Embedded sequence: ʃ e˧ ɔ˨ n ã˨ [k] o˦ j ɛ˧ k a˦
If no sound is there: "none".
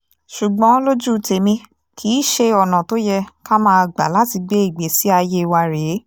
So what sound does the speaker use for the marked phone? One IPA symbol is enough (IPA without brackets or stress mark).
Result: t